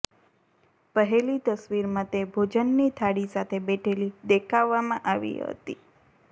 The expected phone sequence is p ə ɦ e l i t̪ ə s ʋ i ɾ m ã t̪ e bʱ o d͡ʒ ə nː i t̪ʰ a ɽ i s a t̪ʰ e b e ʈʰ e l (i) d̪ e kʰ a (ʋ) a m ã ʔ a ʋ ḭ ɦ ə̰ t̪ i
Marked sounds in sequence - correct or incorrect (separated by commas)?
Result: correct, incorrect